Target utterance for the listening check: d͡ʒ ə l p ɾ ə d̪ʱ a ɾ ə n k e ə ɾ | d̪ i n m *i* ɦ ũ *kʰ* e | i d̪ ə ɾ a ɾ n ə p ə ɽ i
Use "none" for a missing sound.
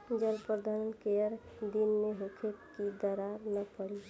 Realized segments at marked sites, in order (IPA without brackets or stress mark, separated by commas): e, kʰ